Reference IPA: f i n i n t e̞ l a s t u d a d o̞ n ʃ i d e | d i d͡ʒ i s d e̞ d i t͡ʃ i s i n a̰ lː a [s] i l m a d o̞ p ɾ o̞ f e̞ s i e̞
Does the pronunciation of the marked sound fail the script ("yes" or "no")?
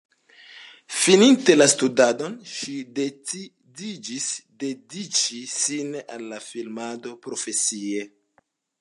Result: yes